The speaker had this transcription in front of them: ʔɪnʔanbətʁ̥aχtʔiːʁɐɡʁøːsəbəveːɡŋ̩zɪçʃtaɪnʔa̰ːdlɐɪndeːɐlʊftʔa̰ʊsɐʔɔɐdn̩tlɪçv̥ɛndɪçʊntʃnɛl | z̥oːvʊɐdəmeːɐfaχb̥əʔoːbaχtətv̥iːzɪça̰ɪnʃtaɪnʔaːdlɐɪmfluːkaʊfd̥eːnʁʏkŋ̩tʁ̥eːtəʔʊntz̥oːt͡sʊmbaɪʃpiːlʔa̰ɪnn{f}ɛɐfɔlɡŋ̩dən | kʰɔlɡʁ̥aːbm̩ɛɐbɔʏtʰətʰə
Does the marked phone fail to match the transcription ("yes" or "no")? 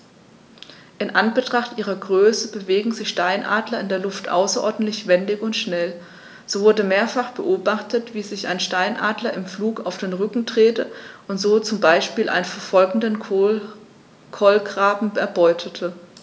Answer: no